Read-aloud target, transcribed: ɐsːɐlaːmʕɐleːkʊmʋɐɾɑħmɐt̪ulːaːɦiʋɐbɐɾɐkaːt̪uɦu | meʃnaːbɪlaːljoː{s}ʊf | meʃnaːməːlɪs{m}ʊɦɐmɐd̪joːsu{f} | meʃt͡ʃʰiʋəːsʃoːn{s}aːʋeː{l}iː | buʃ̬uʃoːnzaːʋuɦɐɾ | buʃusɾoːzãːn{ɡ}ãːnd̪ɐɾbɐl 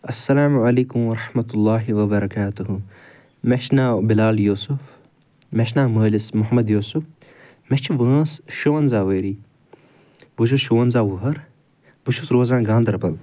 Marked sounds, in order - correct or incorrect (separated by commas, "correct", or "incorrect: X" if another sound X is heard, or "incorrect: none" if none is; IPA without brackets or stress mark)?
correct, correct, correct, incorrect: z, incorrect: ɾ, correct